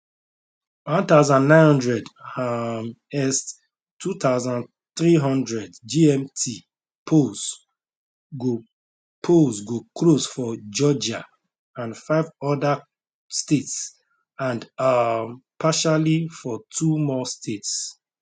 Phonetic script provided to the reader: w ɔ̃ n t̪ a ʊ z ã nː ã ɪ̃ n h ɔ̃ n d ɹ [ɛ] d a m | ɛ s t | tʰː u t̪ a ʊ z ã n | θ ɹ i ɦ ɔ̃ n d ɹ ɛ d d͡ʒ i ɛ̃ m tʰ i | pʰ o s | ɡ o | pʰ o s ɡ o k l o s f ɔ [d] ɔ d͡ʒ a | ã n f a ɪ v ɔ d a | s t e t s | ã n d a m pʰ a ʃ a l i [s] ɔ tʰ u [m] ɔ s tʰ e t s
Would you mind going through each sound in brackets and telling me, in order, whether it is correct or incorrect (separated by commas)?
correct, incorrect, incorrect, correct